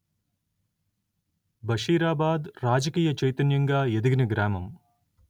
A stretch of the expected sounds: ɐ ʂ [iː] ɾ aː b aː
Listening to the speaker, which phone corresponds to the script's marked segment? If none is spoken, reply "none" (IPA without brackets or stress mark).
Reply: iː